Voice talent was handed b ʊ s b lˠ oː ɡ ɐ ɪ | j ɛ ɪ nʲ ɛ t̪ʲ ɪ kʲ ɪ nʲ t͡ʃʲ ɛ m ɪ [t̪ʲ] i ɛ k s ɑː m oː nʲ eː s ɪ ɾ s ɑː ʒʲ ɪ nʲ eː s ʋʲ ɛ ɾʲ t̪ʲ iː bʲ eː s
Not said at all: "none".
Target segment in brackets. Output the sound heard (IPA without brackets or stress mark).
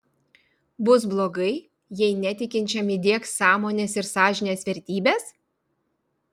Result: d̪ʲ